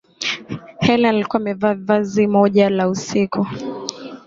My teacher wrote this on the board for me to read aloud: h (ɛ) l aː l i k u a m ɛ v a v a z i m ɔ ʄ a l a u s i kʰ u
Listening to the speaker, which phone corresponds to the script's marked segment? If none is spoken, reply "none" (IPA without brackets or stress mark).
ɛ